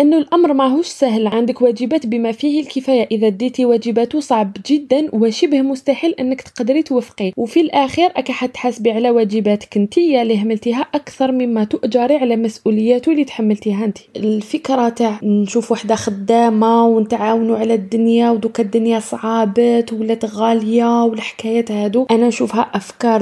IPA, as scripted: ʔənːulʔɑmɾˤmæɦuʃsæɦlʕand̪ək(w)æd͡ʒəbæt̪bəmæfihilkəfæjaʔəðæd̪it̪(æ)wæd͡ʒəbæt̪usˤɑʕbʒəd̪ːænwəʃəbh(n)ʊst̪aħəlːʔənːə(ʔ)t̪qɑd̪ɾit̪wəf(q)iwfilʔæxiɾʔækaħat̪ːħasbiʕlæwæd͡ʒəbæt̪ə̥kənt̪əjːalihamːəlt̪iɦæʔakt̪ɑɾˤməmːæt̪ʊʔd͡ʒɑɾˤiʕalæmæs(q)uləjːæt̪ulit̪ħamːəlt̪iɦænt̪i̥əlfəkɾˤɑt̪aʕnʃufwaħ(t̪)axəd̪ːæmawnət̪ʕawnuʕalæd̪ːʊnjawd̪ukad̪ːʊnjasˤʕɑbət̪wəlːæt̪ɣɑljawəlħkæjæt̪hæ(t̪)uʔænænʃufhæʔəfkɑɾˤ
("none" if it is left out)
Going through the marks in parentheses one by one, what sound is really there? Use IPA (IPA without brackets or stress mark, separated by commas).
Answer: w, i, m, k, q, ʔ, d̪, d̪